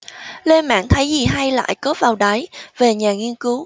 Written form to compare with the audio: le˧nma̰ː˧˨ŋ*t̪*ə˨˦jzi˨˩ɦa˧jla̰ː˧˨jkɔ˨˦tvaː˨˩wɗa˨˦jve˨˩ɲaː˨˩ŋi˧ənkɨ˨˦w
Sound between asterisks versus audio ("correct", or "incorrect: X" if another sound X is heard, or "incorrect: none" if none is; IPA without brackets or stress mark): incorrect: t̪ʰ